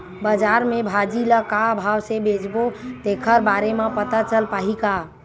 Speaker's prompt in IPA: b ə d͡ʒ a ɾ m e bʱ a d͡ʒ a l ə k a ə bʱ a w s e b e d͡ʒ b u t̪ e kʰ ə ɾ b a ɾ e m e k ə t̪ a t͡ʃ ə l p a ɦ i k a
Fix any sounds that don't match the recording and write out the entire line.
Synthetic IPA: b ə d͡ʒ a ɾ m e bʱ a d͡ʒ i l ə k a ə bʱ a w s e b e d͡ʒ b o t̪ e kʰ ə ɾ b a ɾ e m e p ə t̪ a t͡ʃ ə l p a ɦ i k a